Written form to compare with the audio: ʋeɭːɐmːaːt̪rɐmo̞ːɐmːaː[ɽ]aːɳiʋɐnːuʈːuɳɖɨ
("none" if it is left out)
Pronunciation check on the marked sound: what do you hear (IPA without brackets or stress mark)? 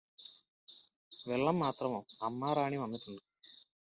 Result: ɾ